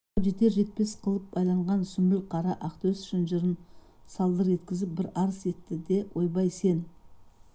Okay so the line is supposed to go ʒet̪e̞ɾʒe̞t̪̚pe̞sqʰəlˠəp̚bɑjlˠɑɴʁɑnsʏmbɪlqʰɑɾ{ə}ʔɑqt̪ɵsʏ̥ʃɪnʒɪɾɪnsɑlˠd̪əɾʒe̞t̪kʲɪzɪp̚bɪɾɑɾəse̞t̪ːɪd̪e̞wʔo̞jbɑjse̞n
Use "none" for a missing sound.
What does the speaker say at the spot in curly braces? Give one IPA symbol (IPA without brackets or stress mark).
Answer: ɑ